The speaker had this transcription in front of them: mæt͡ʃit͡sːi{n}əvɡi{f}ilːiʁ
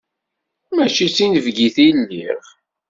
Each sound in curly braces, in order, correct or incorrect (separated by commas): correct, incorrect